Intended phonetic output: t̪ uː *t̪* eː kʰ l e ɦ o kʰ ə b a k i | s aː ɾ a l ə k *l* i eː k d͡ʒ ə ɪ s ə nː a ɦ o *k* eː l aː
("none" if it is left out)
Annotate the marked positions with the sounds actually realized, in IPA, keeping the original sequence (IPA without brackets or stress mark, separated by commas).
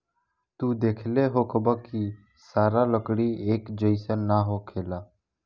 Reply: d̪, ɽ, kʰ